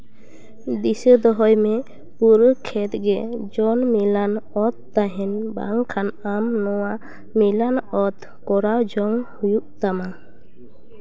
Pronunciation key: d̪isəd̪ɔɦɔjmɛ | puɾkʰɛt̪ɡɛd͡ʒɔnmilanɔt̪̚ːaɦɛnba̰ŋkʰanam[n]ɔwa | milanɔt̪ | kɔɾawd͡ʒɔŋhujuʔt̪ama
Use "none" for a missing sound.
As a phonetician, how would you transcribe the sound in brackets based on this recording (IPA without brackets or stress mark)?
n